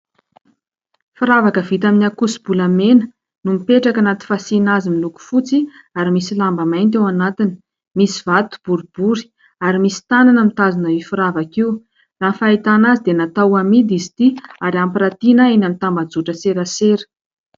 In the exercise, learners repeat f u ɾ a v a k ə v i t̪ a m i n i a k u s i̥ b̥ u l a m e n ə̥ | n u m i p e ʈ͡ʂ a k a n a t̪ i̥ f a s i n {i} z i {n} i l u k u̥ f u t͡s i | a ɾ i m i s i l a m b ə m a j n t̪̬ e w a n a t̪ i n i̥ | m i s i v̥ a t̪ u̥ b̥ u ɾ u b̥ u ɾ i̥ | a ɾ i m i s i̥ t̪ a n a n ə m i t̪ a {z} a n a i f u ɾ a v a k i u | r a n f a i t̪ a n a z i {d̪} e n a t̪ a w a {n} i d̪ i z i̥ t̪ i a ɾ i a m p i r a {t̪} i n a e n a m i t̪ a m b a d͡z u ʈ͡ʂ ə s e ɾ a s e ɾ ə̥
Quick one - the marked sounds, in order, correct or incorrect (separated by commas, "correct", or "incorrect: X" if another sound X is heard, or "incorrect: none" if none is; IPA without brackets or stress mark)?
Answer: incorrect: a, incorrect: m, correct, correct, incorrect: m, correct